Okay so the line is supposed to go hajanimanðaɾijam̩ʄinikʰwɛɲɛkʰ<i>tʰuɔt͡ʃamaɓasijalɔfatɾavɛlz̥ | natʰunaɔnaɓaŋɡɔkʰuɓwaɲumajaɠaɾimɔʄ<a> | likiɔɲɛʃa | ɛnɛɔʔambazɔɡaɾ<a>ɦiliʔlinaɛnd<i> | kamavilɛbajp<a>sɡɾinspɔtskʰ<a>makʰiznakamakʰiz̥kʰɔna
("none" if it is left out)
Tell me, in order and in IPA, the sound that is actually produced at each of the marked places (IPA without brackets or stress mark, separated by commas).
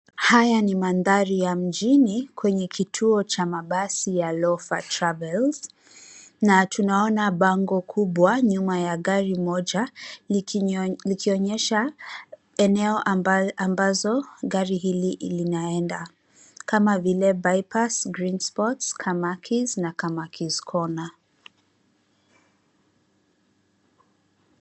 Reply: i, a, i, a, a, a